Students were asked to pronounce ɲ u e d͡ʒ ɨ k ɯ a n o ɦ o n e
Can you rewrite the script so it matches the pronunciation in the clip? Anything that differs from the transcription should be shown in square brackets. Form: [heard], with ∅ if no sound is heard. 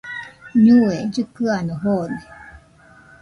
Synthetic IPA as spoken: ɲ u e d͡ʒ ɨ k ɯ a n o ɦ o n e